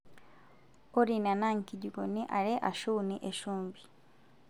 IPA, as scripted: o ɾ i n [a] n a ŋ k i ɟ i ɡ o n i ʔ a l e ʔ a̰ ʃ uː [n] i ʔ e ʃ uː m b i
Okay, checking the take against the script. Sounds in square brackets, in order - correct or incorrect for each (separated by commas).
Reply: correct, correct